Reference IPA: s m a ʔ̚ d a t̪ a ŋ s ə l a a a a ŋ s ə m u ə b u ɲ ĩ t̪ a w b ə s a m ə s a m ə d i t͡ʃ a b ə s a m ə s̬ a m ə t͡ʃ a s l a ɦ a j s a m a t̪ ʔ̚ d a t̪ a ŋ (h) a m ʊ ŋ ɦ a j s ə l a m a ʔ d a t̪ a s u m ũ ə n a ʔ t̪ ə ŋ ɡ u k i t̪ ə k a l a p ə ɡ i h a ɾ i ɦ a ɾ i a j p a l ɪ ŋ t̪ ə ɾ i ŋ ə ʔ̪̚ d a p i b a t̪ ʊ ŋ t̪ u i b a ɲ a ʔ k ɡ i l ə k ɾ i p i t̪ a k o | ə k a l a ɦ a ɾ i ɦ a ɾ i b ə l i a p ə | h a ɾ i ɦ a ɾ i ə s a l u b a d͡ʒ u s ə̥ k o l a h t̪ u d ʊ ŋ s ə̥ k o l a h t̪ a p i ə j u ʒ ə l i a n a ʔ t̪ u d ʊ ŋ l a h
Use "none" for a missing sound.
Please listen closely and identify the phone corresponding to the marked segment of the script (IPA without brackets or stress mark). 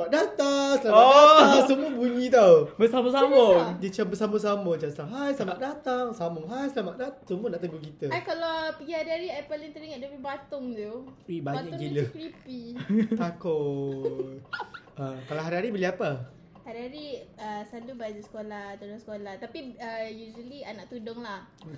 s